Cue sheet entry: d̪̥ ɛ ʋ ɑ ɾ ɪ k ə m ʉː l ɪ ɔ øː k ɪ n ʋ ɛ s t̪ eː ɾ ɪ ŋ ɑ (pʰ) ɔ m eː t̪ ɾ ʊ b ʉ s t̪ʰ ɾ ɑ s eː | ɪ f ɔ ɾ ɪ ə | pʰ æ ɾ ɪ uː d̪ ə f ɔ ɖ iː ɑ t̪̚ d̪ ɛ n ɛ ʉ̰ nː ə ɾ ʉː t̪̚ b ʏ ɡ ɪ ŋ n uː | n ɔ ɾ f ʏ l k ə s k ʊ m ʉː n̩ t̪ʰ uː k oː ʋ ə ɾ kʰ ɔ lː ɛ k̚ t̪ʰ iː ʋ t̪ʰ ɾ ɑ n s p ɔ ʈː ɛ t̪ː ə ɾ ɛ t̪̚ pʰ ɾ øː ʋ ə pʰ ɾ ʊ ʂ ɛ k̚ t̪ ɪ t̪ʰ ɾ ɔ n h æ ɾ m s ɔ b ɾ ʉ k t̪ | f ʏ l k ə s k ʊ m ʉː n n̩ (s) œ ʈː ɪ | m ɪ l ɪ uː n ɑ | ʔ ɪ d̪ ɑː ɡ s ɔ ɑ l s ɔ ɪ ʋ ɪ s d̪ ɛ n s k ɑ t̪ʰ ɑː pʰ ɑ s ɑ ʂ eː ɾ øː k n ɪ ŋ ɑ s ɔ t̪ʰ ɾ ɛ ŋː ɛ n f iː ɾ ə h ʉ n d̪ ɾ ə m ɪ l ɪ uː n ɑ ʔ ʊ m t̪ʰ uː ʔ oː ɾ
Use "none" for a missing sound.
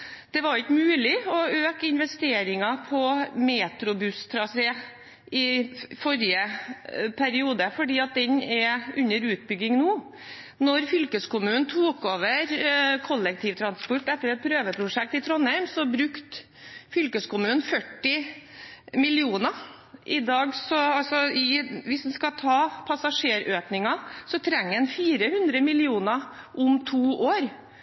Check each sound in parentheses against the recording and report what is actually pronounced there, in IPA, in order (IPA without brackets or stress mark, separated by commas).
pʰ, f